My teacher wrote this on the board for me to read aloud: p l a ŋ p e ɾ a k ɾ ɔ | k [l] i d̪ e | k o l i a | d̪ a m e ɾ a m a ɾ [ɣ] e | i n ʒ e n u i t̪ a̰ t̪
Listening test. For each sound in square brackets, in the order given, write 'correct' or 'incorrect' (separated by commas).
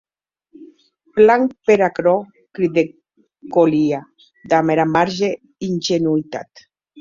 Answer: incorrect, incorrect